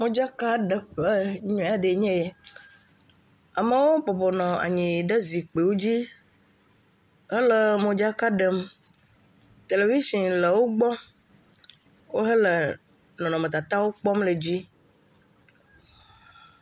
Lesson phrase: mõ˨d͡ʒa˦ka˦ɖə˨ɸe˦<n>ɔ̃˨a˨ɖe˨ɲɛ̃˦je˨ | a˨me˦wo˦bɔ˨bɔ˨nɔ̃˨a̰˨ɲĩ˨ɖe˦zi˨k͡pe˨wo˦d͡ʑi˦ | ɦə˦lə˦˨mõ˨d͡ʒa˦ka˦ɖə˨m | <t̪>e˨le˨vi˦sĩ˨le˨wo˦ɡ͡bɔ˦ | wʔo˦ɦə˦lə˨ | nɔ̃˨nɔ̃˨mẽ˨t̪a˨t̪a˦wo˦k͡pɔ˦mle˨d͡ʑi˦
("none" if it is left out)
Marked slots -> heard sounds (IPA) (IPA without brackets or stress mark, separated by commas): ɲ, t̪